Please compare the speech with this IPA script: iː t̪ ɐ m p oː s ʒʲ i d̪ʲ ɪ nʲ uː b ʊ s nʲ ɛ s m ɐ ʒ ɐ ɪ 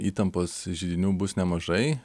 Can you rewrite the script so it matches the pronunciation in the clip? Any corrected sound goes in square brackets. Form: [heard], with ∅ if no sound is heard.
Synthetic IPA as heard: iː t̪ ɐ m p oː s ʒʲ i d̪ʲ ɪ nʲ uː b ʊ s nʲ ɛ [∅] m ɐ ʒ ɐ ɪ